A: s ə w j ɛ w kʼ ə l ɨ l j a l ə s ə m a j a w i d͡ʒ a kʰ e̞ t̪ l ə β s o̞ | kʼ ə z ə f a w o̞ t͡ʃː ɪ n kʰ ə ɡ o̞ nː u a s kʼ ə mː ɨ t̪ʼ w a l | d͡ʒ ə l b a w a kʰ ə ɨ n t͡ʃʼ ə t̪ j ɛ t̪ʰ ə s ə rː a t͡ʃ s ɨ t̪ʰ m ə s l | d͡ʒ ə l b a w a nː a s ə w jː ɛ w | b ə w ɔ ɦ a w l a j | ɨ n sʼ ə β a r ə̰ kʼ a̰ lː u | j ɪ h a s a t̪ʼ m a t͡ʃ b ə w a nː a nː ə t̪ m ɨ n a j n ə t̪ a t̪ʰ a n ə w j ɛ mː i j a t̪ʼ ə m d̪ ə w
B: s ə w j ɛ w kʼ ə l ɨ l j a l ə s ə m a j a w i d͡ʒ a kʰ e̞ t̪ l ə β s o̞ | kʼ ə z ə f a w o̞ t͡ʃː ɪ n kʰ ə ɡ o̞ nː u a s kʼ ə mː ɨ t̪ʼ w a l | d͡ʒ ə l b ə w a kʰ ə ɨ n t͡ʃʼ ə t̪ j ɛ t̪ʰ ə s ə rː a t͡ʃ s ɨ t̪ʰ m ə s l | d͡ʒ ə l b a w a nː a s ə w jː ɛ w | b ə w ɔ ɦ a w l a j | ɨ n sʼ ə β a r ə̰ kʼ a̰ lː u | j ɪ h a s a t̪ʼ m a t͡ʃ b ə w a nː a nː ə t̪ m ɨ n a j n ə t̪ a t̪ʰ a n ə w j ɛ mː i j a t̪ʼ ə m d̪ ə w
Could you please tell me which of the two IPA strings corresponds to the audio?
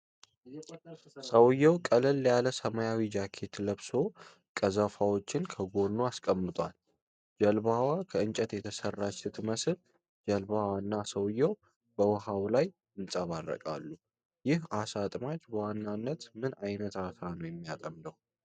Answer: A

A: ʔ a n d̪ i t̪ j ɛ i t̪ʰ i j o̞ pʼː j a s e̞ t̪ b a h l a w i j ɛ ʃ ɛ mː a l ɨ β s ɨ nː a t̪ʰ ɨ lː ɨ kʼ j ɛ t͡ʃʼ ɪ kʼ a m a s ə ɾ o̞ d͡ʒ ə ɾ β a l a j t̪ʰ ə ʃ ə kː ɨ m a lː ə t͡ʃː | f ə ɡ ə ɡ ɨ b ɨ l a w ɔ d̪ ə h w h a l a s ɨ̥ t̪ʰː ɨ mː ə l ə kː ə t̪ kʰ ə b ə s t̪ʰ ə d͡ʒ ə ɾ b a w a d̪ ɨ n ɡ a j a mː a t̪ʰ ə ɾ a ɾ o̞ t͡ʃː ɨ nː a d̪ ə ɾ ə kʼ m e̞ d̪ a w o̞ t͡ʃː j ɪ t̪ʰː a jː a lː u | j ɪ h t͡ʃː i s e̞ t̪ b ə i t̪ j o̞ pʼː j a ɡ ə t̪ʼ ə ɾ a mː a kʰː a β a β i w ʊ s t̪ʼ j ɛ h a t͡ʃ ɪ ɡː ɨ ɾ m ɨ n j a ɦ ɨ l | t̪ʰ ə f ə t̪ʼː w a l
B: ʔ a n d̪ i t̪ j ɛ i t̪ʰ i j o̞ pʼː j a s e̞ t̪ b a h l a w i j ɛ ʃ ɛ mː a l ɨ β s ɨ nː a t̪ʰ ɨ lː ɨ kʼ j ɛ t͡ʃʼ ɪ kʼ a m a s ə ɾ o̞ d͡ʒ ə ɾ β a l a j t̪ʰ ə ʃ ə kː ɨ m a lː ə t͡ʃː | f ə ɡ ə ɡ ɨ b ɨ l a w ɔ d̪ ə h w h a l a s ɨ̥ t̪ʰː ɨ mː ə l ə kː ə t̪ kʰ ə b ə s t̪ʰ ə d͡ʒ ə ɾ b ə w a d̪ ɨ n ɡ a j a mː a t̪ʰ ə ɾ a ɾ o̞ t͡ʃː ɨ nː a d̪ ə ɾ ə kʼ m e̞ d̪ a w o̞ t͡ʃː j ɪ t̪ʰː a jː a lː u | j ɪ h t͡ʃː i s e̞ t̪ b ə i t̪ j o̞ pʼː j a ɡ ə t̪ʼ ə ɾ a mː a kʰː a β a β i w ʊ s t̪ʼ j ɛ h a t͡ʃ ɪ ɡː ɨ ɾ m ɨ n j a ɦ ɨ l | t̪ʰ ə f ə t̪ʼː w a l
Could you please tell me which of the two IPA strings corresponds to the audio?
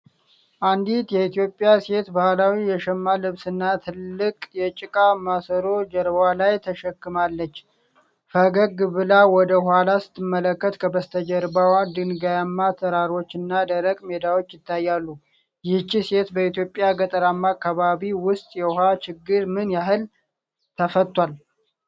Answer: A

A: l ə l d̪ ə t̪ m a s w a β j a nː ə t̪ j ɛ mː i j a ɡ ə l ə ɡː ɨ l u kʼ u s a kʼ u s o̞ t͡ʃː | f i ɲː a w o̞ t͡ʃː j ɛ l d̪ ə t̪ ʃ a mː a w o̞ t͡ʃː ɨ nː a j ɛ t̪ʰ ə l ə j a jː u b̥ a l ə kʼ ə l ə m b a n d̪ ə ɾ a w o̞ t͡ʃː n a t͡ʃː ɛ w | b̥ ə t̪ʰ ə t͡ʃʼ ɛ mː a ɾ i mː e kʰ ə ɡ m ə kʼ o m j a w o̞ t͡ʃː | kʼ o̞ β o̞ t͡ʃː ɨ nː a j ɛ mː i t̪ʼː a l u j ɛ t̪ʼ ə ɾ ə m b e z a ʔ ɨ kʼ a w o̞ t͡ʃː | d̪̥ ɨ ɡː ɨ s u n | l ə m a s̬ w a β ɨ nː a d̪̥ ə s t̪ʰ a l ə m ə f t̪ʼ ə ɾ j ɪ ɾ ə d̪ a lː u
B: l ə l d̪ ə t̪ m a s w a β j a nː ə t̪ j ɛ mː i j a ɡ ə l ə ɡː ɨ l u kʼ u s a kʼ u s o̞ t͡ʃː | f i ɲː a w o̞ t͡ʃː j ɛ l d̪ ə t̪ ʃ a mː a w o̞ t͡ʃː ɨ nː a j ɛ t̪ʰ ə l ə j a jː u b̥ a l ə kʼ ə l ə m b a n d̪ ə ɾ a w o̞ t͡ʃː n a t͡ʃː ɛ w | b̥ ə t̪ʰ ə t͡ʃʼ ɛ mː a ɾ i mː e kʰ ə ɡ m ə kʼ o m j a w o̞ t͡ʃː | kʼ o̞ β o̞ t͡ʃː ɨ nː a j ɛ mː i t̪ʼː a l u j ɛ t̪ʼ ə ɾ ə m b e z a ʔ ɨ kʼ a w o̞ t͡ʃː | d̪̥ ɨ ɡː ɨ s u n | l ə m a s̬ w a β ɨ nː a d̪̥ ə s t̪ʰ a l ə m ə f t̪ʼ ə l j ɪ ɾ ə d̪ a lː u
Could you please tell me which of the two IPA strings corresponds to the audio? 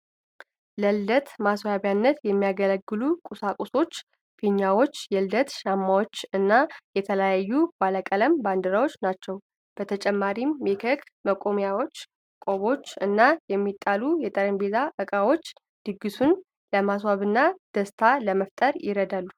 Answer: A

